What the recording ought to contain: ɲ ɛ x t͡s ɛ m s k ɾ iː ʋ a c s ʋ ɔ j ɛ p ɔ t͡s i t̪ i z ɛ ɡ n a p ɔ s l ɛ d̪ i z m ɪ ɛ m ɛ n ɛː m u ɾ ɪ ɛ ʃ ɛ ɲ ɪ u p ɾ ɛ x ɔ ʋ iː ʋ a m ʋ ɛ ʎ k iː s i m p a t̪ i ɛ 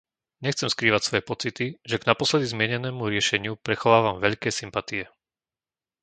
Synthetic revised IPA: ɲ ɛ x t͡s ɛ m s k ɾ iː ʋ a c s ʋ ɔ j ɛ p ɔ t͡s i t̪ i ʒ ɛ ɡ n a p ɔ s l ɛ d̪ i z m ɪ ɛ ɲ ɛ n ɛː m u ɾ ɪ ɛ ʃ ɛ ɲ ɪ u p ɾ ɛ x ɔ ʋ aː ʋ a m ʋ ɛ ʎ k ɛː s i m p a t̪ i ɛ